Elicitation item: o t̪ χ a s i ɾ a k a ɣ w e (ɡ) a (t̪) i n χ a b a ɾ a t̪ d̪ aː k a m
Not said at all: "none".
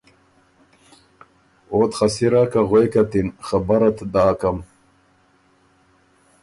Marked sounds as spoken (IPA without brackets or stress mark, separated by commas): k, t̪